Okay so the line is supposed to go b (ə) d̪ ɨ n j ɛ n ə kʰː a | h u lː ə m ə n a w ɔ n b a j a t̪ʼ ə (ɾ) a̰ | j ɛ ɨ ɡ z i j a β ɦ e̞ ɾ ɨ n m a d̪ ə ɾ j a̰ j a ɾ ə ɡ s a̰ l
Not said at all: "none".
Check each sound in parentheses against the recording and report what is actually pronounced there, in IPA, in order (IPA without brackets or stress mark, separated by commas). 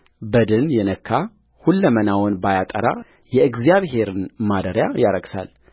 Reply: ə, ɾ